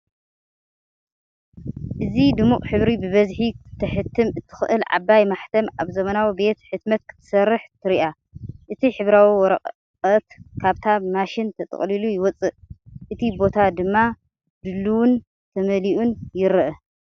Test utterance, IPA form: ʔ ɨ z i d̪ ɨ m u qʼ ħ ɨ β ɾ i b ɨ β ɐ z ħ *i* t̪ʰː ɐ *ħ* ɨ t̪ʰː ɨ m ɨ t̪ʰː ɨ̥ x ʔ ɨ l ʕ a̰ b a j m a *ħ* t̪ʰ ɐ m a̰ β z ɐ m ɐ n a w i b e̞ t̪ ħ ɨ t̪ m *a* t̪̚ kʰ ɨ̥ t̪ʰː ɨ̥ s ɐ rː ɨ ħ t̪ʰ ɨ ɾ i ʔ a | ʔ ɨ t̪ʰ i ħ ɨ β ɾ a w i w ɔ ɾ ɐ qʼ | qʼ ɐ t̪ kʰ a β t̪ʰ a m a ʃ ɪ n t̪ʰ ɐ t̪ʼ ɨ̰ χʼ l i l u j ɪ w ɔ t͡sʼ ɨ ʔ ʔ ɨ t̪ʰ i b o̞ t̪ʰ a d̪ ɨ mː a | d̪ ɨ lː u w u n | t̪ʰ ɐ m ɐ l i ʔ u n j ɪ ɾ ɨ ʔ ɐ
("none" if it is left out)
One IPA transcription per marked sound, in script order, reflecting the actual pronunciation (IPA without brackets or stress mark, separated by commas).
i, ħ, ħ, ɐ